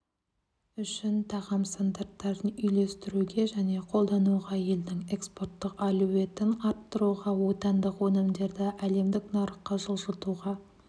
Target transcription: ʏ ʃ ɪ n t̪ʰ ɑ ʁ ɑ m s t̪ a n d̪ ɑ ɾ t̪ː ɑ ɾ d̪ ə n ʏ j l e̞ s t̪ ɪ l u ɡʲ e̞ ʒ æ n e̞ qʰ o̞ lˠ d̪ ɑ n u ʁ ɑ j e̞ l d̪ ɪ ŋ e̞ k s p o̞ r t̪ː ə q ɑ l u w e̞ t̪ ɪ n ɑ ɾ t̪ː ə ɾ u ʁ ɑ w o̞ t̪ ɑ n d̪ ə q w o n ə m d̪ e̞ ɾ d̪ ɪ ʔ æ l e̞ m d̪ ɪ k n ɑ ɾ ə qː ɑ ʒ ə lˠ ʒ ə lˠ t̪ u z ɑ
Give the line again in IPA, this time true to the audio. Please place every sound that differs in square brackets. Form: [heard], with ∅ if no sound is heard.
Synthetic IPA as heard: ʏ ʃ ɪ n t̪ʰ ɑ ʁ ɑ m s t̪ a n d̪ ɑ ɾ t̪ː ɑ ɾ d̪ ə n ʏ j l e̞ s t̪ ɪ [ɾ] u ɡʲ e̞ ʒ æ n e̞ qʰ o̞ lˠ d̪ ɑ n u ʁ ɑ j e̞ l d̪ ɪ ŋ e̞ k s p o̞ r t̪ː ə q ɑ l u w e̞ t̪ ɪ n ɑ ɾ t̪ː ə ɾ u ʁ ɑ w o̞ t̪ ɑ n d̪ ə q w o n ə m d̪ e̞ ɾ d̪ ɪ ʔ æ l e̞ m d̪ ɪ k n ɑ ɾ ə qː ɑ ʒ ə lˠ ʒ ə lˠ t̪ u [ʁ] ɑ